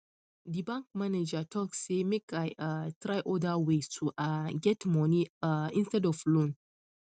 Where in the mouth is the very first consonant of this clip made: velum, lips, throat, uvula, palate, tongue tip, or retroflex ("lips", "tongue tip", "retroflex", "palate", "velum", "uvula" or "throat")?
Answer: tongue tip